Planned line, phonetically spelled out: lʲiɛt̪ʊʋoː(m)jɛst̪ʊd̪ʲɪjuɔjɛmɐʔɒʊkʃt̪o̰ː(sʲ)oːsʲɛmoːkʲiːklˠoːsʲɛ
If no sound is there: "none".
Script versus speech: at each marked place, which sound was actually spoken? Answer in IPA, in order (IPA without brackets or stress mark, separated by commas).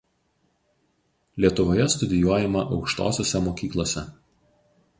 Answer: none, sʲ